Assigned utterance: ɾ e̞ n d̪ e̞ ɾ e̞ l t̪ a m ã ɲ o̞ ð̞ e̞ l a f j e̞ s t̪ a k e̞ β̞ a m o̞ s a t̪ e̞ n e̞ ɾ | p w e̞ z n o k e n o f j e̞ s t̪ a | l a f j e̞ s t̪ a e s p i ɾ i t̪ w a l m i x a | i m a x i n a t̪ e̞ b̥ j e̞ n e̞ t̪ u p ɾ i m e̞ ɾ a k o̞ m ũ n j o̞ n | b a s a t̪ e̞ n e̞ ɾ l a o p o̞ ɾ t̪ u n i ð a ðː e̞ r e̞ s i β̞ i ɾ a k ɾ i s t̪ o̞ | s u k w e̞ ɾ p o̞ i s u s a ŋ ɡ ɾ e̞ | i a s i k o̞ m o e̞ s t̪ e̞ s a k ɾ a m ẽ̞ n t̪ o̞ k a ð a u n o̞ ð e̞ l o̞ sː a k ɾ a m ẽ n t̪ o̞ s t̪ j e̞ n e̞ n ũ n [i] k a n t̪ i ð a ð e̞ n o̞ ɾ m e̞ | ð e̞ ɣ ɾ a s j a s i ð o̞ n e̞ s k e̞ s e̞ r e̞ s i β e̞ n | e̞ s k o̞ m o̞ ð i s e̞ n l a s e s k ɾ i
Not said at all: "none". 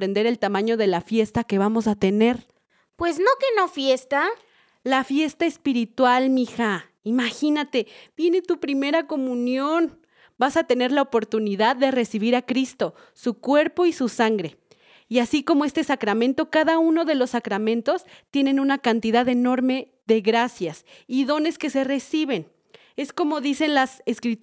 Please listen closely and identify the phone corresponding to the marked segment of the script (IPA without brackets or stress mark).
a